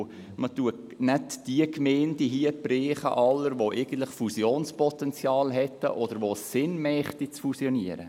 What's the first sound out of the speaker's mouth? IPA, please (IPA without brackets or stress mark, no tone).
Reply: m